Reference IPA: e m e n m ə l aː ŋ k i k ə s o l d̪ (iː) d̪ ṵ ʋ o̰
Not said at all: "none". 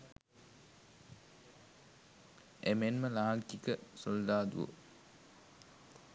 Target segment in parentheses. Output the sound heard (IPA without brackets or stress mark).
aː